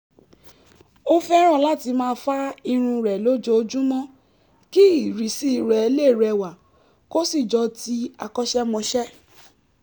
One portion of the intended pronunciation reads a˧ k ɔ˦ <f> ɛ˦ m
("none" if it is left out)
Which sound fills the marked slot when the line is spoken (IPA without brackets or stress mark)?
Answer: ʃ